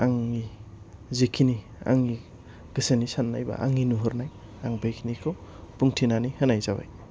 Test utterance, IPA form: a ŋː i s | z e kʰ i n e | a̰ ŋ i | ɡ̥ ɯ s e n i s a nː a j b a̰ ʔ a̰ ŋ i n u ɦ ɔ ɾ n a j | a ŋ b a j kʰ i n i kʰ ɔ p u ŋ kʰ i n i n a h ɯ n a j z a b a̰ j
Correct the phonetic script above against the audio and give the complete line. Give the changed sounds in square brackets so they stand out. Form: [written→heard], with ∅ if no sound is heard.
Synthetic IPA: a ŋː i [s→∅] | z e kʰ i n [e→i] | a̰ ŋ i | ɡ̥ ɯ s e n i s a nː a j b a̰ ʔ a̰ ŋ i n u ɦ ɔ ɾ n a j | a ŋ b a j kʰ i n i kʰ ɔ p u ŋ [kʰ→tʰ] i n [i→a] n [a→i] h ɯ n a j z a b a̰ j